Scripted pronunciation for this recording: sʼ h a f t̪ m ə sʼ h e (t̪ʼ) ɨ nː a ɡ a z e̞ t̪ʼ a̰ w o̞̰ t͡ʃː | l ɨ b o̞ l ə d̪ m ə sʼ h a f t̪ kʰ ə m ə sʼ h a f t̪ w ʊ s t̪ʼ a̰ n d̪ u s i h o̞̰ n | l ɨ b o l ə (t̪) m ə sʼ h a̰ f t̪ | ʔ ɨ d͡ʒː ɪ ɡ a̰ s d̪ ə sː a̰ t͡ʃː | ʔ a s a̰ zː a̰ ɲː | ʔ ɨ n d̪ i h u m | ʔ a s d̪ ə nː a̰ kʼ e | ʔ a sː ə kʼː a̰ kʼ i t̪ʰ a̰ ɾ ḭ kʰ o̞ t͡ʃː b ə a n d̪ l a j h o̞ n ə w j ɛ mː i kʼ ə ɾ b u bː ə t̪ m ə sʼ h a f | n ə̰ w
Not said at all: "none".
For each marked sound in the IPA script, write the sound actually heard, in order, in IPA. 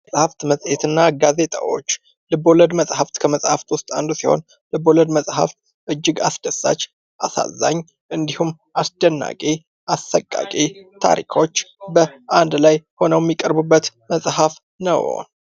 t̪, d̪

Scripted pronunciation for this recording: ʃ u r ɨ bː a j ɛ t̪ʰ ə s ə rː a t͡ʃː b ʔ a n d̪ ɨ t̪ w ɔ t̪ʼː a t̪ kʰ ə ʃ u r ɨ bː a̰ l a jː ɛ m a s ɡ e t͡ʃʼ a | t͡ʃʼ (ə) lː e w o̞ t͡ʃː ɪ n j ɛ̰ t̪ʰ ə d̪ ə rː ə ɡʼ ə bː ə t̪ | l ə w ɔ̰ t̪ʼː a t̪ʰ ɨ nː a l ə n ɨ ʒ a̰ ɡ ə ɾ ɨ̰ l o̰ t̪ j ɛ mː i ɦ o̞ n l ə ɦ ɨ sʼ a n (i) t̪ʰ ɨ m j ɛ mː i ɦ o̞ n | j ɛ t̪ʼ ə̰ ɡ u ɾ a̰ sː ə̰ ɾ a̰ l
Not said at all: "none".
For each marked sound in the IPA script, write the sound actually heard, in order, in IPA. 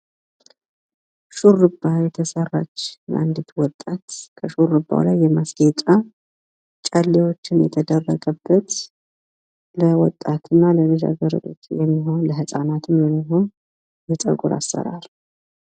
a, a

